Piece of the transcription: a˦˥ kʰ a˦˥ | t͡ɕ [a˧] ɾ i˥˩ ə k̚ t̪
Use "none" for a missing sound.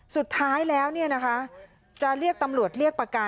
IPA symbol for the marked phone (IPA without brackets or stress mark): a˨˩